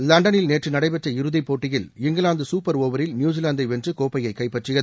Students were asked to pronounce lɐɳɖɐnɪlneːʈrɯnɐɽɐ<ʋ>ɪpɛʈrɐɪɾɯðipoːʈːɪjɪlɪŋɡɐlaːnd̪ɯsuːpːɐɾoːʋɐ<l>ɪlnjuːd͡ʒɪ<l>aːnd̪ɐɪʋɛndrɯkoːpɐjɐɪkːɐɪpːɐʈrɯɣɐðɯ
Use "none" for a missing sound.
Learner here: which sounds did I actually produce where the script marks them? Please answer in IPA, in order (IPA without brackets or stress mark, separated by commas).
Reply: none, ɾ, l